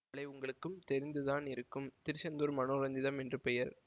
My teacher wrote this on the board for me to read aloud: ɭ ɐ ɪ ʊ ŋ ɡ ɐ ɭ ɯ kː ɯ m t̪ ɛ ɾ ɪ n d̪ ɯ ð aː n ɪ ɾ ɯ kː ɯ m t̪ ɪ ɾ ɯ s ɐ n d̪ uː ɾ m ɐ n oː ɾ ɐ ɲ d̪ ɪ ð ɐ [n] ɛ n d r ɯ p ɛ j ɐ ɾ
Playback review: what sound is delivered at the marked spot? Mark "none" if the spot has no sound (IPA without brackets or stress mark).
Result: m